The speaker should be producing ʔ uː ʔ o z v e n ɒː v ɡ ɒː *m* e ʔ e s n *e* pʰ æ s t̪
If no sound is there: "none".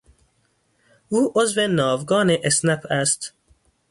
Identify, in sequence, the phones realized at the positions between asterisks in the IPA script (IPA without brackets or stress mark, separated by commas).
n, æ